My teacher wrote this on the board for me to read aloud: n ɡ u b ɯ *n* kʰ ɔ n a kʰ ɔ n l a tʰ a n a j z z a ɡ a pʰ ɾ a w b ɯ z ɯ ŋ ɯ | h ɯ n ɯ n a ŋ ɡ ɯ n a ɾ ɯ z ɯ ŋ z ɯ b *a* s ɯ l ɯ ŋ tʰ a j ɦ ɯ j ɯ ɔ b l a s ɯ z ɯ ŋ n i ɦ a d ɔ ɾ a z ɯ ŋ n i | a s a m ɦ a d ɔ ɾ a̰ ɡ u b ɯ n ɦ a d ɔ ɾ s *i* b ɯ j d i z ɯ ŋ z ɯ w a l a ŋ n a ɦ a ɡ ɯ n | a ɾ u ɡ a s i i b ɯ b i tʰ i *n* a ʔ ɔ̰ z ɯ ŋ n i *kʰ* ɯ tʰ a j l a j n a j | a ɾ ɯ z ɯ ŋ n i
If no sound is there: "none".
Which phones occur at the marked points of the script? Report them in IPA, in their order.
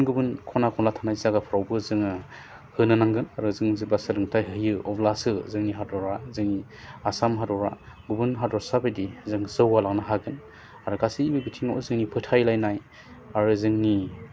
n, a, a, ŋ, pʰ

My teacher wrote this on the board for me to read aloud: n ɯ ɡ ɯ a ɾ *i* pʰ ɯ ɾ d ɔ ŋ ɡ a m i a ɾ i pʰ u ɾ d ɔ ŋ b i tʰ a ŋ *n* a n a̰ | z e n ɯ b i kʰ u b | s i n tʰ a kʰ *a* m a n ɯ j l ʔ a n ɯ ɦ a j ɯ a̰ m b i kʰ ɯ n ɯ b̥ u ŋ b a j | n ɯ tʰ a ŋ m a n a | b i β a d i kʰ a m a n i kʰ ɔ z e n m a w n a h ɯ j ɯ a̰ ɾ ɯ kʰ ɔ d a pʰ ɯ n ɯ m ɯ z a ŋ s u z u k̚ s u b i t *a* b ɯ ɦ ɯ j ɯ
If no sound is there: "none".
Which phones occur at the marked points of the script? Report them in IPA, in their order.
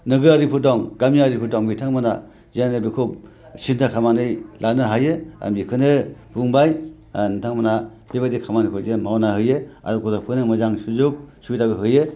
i, m, a, a

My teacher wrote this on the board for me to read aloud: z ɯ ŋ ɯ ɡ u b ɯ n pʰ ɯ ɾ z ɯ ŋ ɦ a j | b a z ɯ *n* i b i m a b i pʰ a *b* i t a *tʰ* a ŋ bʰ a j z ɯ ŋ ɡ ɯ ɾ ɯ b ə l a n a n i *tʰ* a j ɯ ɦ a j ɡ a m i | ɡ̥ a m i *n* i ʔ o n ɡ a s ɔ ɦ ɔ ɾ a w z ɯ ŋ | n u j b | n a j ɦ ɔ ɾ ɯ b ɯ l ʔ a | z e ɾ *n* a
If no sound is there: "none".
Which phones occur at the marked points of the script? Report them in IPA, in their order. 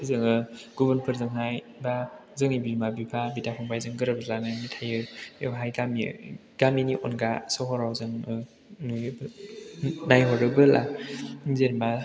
ŋ, b, pʰ, tʰ, n, m

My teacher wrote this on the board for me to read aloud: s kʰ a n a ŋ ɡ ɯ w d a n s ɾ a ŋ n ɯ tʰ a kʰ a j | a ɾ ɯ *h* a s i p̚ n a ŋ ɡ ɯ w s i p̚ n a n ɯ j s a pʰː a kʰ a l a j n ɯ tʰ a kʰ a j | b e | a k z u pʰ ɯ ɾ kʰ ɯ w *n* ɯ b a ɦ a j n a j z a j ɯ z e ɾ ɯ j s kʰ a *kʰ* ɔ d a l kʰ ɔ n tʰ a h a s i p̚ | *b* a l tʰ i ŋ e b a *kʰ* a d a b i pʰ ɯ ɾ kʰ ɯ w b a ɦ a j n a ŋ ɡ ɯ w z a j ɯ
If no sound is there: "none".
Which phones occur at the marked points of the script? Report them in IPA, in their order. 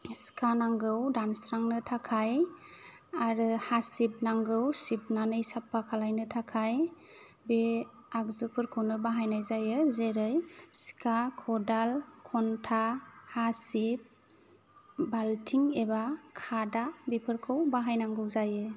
h, n, kʰ, b, kʰ

